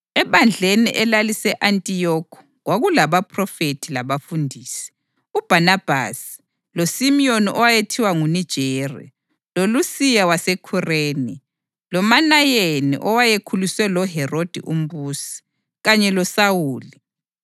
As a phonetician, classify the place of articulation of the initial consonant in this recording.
labial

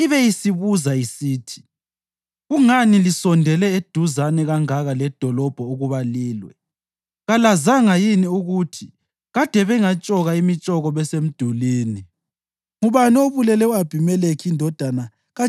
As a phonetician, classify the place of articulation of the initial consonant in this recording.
labial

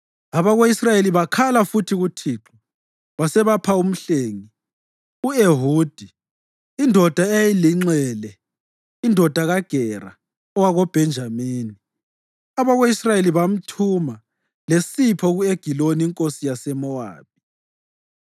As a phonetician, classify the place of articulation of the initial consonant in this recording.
labial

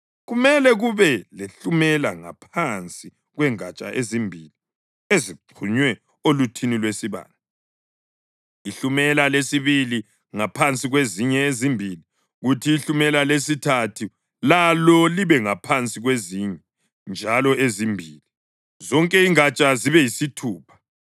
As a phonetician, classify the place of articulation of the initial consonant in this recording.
velar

